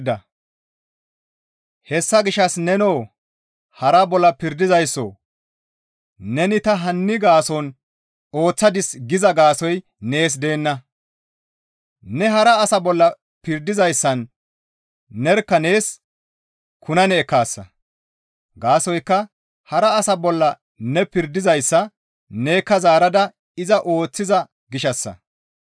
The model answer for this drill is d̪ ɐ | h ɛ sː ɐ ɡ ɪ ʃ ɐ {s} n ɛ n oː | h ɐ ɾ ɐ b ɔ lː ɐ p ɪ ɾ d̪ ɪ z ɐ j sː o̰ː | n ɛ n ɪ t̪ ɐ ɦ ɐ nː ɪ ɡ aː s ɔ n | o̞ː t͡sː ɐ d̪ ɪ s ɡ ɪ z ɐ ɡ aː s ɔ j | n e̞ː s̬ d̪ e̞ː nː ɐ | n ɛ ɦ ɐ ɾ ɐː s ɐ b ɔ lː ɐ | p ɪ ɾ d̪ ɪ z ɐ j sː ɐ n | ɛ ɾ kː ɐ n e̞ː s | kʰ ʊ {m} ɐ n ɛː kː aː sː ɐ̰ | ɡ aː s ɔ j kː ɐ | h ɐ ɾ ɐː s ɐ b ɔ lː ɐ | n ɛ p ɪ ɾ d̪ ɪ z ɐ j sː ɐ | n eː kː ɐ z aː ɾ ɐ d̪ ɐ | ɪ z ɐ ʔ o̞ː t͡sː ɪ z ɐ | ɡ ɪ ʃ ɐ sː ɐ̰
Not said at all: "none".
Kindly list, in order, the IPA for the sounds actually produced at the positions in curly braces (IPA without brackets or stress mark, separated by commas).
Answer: s, n